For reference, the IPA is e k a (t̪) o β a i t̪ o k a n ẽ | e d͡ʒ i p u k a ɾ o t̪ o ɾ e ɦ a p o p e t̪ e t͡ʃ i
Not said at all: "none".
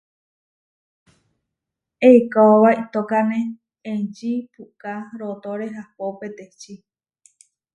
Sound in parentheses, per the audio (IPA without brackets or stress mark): none